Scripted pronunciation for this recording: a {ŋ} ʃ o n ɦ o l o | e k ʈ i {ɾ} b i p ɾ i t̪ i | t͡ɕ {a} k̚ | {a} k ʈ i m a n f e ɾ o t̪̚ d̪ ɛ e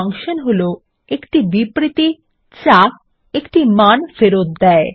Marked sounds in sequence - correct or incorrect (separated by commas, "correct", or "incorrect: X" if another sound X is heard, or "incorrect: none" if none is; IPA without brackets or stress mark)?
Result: correct, incorrect: none, correct, incorrect: e